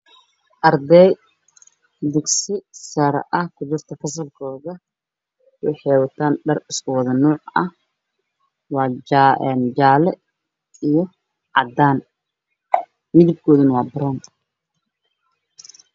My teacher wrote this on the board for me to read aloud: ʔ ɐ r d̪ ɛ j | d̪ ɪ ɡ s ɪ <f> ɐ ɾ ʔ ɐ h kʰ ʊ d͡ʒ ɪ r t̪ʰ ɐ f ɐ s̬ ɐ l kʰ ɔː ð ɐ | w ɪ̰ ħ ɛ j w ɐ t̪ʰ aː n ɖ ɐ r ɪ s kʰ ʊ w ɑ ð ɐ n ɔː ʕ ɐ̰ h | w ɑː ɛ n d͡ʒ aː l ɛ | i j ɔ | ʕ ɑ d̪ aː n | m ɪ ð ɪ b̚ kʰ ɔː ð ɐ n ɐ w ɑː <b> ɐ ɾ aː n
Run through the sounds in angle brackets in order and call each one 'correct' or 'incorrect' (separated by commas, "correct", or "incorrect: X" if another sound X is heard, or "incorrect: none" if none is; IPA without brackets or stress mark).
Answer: incorrect: s, correct